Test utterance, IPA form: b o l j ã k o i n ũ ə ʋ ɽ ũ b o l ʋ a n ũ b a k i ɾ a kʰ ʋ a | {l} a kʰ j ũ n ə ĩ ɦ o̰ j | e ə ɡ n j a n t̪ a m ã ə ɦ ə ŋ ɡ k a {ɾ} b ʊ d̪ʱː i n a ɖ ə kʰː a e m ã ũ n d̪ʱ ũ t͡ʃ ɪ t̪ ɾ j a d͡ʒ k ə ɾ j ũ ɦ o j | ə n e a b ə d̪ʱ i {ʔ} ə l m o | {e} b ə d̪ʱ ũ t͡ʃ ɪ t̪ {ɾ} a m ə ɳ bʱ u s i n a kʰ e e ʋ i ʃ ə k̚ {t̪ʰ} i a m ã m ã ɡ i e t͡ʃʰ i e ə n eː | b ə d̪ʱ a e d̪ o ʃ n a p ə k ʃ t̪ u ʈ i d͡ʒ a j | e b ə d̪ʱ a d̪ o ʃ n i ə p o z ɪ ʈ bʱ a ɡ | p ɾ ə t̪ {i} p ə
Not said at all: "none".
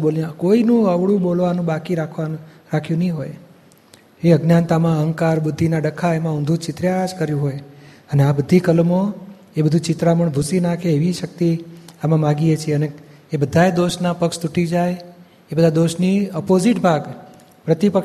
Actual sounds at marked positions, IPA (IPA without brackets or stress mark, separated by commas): ɾ, ɾ, k, e, ɾ, t̪, i